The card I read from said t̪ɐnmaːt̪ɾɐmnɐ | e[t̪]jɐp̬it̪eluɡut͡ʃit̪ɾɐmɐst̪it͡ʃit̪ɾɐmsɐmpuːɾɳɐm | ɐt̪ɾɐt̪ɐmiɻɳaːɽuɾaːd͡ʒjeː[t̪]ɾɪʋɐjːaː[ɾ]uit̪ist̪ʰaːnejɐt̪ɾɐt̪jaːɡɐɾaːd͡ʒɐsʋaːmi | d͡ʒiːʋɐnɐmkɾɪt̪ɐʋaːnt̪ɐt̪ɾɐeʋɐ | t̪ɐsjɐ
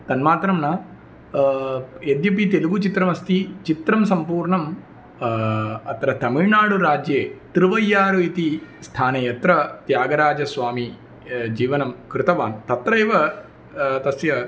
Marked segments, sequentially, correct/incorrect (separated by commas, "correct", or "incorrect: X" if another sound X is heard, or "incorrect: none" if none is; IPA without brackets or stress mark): incorrect: d̪, correct, correct